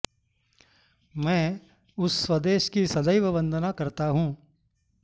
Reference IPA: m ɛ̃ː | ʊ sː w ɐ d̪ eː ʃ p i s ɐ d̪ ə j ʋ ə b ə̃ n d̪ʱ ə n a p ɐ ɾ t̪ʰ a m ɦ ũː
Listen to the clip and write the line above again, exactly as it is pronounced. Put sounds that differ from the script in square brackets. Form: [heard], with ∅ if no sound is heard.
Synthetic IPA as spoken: m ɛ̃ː | ʊ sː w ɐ d̪ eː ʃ [k] i s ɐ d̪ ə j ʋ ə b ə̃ n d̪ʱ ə n a [k] ɐ ɾ [t̪] a [∅] ɦ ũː